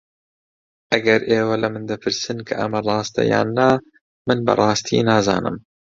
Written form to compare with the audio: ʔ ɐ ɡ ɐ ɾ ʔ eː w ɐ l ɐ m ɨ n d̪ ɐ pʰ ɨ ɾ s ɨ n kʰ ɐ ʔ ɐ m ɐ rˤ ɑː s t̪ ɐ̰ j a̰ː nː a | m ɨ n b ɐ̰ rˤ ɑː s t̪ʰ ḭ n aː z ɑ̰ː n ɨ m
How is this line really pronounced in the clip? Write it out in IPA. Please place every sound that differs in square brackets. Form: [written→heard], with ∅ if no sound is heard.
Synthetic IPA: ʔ ɐ ɡ ɐ ɾ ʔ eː w ɐ l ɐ m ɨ n d̪ ɐ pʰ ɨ ɾ s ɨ n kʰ ɐ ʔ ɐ m ɐ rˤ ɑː s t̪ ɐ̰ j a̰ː nː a | m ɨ n b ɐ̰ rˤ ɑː s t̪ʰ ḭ n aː z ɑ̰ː n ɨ m